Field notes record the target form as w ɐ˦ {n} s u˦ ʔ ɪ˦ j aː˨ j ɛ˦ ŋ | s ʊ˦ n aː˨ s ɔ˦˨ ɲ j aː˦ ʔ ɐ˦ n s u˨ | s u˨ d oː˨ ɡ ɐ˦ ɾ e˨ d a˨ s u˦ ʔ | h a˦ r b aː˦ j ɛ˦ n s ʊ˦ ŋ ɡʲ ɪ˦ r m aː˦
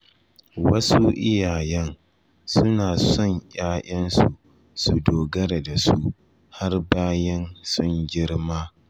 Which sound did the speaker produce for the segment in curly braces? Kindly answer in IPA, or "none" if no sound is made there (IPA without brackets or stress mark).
none